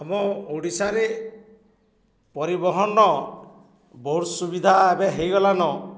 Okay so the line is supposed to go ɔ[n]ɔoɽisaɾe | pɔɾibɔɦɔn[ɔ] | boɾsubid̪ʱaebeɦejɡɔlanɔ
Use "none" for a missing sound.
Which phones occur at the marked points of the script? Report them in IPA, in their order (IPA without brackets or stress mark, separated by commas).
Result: m, ɔ